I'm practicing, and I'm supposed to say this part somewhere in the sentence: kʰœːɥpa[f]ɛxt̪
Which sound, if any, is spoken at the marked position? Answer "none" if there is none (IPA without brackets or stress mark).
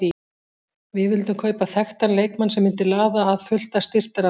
θ